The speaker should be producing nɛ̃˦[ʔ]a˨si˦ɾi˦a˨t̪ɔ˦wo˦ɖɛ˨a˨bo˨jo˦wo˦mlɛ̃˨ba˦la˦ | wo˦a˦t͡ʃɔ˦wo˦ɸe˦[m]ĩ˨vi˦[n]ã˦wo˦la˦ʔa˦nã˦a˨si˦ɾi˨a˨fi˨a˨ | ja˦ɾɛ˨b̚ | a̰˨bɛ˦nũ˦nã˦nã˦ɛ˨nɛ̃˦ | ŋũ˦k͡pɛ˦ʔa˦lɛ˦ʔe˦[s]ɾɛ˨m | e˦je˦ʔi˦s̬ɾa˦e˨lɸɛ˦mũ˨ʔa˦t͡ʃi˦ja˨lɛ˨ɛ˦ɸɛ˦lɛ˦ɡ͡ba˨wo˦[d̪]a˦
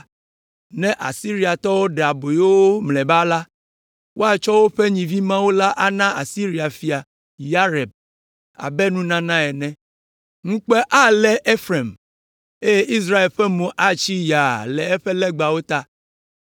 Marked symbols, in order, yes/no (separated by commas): yes, no, no, no, no